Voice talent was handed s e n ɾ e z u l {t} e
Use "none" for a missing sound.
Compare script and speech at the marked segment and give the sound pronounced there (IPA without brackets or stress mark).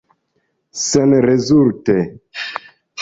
t